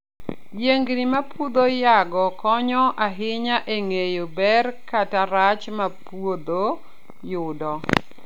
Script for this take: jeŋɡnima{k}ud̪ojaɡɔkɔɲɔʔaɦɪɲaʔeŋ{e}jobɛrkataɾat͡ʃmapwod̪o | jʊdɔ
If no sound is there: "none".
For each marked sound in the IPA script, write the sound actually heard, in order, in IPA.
p, e

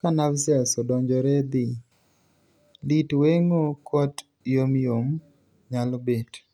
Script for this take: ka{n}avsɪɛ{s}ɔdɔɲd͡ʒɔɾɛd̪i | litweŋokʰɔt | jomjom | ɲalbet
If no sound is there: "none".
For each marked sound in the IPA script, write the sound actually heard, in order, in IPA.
n, s

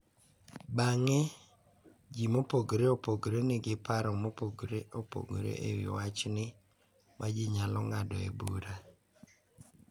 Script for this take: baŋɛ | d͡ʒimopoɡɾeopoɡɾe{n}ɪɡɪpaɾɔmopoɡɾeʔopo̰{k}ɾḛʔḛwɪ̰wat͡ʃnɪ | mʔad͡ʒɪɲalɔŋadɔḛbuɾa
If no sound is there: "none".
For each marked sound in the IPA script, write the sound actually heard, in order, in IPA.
n, ɡ

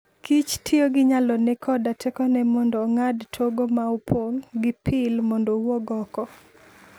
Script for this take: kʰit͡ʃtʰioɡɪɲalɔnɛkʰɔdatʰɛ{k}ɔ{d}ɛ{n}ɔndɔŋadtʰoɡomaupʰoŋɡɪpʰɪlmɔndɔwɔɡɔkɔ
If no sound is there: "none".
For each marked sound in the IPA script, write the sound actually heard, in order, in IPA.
k, n, m

